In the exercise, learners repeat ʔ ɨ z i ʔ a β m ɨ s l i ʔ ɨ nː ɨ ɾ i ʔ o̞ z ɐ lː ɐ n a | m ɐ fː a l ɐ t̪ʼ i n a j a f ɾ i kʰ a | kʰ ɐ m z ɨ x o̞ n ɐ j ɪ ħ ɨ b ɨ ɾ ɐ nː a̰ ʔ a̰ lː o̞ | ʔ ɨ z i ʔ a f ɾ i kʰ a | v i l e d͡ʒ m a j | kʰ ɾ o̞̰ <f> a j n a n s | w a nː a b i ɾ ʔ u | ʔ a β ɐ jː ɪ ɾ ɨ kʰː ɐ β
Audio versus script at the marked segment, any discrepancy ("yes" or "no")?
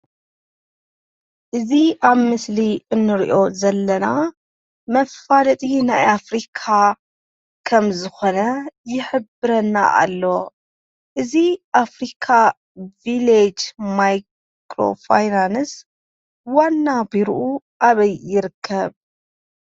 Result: no